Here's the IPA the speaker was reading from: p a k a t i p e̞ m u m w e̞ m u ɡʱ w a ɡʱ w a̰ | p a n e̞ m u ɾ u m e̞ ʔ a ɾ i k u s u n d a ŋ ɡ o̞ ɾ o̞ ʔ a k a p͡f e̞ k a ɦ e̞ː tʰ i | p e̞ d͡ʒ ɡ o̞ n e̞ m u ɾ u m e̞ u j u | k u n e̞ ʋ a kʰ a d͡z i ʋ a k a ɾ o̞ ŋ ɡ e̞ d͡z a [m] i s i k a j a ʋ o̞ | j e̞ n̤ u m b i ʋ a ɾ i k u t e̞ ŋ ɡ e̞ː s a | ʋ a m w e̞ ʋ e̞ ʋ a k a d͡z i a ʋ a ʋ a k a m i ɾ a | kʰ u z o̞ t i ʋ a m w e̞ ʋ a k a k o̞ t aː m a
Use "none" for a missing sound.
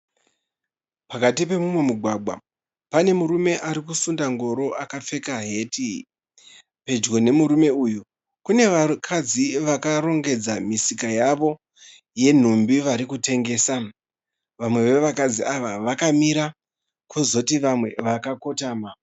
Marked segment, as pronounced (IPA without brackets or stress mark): m